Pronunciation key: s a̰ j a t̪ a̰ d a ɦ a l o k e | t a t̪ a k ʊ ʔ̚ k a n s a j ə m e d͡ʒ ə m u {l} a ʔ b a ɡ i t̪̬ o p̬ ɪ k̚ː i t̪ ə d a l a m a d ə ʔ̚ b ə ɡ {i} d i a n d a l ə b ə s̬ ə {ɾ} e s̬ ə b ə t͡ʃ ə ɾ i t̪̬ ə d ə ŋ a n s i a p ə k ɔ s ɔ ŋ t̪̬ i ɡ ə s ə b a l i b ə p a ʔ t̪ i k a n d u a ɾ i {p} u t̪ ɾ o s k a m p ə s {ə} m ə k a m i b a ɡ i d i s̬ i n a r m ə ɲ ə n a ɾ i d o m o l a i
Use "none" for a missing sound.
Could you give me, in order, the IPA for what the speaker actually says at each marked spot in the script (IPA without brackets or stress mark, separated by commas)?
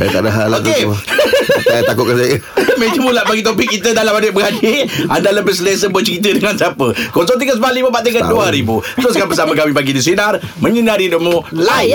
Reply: l, a, l, b, a